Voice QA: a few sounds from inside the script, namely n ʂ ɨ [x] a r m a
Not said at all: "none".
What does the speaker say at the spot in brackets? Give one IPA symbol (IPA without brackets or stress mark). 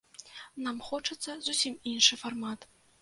f